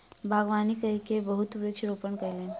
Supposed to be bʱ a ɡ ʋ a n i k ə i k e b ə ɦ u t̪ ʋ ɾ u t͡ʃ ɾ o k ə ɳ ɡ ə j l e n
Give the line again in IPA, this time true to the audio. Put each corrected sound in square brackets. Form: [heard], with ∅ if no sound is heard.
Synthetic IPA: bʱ a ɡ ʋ a n i k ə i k e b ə ɦ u t̪ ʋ ɾ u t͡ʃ ɾ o [p] ə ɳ [k] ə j l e n